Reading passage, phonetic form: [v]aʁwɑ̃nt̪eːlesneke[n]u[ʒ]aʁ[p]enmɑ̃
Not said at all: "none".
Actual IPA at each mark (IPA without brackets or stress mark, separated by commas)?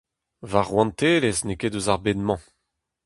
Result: v, d, z, b